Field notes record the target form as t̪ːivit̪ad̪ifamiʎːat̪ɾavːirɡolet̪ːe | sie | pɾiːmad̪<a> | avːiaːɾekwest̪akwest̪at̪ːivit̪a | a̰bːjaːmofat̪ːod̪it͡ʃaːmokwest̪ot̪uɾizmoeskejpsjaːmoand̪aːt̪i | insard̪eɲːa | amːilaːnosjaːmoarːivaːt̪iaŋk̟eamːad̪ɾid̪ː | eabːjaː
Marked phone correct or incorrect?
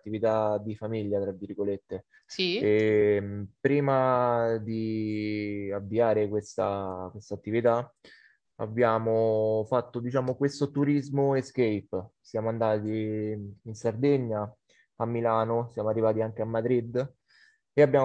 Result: incorrect